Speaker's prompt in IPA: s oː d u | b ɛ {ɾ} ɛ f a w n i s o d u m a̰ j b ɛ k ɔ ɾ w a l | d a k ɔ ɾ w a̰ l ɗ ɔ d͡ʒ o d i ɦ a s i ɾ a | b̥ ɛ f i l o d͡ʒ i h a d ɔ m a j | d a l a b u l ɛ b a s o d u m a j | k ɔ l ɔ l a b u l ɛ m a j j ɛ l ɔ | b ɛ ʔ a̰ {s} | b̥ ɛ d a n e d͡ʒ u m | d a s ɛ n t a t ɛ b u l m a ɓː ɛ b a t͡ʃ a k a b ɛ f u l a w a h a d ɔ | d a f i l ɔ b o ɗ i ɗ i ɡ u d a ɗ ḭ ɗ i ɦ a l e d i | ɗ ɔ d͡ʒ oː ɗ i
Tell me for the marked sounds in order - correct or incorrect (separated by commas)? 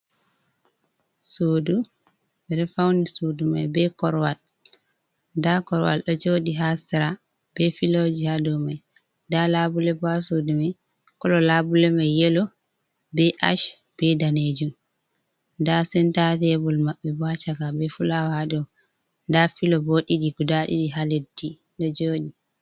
correct, incorrect